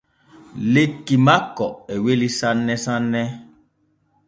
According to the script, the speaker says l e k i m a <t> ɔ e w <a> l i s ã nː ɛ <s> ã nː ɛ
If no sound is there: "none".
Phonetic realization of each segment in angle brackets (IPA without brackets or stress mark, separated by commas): k, e, s